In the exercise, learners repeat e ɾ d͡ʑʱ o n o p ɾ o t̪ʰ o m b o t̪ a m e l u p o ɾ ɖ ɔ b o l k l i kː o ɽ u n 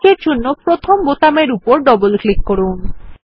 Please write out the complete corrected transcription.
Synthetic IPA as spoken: e ɾ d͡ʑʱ o nː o p ɾ o t̪ʰ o m b o t̪ a m e ɾ u p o ɾ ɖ ɔ b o l k l i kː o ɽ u n